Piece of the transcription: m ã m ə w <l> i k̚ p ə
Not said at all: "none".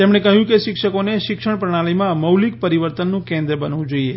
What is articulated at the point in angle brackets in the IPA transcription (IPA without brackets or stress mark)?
l